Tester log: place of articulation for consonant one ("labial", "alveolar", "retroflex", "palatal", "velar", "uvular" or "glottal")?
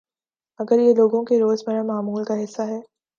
velar